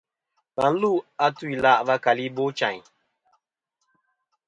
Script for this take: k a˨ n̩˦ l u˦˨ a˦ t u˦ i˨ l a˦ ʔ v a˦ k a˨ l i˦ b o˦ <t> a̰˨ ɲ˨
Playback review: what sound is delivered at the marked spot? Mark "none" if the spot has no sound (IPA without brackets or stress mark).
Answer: t͡ʃ